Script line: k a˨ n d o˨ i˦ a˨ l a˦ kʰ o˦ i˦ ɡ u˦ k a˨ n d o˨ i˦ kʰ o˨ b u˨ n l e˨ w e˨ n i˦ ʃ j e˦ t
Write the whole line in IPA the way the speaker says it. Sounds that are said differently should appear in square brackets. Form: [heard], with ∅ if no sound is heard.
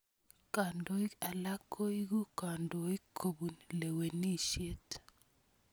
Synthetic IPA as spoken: k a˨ n d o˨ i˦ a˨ l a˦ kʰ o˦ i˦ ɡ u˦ k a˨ n d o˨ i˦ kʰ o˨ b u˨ n l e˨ w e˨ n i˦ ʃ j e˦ t